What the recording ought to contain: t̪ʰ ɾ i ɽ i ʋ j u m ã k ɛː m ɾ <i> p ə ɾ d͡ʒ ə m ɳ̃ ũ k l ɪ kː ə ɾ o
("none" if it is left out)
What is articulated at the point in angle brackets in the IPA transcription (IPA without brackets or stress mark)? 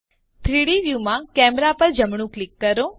a